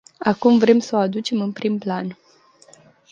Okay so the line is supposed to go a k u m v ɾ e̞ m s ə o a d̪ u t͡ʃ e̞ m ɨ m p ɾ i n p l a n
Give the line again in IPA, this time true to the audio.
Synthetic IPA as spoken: a k u m v ɾ e̞ m s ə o a d̪ u t͡ʃ e̞ m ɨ n p ɾ i m p l a n